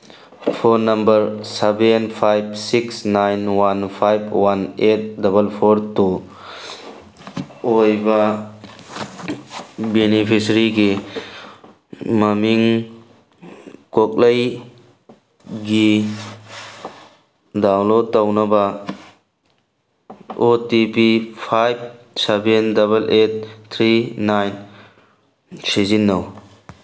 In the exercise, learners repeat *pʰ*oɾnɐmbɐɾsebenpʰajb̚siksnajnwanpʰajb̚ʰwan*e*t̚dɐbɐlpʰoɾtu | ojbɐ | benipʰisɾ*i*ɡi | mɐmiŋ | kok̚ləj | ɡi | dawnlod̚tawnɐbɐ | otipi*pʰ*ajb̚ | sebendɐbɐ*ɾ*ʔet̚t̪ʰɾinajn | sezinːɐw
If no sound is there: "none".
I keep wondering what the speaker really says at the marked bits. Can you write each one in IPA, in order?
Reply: pʰ, e, i, pʰ, l

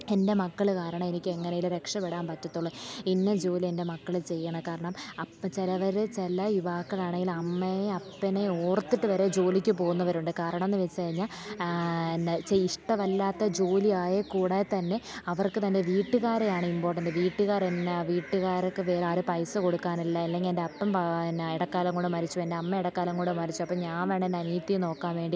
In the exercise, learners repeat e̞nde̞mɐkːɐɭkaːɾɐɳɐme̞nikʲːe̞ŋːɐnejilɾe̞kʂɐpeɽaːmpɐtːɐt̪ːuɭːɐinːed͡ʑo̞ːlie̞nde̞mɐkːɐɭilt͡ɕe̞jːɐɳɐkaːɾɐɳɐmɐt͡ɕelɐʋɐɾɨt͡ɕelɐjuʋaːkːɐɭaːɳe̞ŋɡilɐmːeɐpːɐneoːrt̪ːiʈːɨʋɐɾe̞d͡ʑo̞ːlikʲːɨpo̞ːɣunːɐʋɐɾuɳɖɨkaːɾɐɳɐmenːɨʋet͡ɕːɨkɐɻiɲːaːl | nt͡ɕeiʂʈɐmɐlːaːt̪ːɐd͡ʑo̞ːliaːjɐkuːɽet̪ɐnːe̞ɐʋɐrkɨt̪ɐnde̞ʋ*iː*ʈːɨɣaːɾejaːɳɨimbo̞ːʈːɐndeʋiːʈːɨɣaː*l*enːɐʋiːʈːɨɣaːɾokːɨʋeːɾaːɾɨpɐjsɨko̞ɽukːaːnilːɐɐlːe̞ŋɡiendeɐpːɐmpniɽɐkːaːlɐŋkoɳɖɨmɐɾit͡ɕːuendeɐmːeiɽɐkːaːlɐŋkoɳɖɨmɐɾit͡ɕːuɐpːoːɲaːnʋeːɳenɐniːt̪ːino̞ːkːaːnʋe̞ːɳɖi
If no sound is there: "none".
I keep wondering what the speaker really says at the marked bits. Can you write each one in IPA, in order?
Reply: iː, ɾ

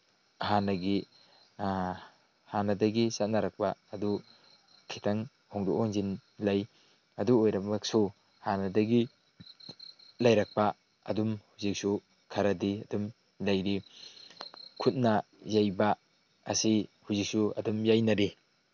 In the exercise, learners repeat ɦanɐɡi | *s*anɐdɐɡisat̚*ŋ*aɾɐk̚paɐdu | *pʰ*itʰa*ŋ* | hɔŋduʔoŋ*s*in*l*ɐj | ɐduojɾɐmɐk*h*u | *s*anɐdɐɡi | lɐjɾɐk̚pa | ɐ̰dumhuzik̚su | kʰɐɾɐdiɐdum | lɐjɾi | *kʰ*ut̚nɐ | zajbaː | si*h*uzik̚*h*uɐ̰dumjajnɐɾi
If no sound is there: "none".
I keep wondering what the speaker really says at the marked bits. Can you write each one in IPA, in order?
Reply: h, n, kʰ, ŋ, z, l, s, h, kʰ, h, s

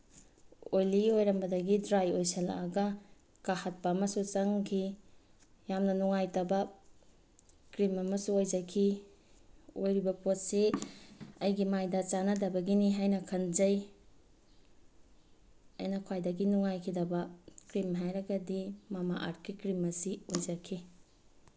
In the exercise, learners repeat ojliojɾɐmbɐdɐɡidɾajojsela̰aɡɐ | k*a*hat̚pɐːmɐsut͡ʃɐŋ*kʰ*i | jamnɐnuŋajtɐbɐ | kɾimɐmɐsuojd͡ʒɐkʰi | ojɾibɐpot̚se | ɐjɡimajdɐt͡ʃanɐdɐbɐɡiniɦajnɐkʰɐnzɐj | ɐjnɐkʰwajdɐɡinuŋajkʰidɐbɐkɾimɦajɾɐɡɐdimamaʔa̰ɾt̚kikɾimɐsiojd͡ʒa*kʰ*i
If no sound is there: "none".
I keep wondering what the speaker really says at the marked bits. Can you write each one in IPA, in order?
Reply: a, kʰ, kʰ

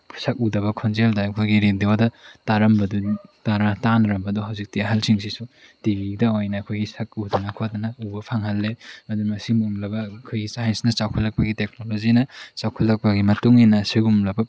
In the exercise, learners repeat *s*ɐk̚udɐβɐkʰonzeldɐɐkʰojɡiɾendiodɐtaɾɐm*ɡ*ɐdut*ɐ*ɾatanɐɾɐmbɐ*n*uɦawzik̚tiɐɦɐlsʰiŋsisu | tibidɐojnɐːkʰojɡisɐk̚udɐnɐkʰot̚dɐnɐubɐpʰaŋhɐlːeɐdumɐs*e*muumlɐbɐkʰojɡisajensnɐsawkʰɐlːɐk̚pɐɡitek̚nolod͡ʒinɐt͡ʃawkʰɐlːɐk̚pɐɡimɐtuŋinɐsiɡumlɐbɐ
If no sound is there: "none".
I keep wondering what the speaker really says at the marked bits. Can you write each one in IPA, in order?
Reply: s, b, a, d, i

